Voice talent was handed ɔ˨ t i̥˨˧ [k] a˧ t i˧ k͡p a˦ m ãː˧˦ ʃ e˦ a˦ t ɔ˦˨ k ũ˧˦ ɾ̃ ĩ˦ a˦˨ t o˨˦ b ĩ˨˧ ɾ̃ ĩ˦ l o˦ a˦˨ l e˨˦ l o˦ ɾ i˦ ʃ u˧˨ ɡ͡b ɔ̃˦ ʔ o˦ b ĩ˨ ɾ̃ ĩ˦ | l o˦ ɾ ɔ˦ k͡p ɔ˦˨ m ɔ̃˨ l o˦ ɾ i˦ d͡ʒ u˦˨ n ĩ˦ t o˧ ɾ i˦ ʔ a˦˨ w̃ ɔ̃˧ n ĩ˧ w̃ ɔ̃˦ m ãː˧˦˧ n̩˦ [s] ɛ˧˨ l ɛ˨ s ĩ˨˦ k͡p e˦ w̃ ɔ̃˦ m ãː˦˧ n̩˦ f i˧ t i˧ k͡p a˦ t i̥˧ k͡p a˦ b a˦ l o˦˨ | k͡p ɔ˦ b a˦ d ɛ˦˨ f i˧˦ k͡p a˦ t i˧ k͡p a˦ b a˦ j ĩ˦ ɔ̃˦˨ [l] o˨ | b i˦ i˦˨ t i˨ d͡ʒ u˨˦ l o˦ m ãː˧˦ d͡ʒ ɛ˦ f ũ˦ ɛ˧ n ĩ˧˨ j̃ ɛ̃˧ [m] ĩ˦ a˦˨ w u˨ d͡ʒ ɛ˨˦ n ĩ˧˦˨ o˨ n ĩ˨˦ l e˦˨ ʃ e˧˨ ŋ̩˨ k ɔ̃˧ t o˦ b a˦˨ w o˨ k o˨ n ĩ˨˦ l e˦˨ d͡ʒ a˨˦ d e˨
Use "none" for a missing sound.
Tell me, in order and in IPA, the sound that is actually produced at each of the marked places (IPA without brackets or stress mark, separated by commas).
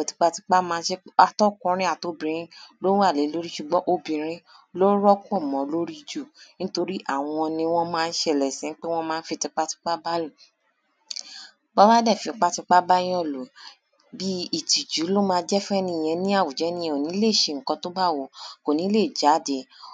k͡p, ʃ, l, n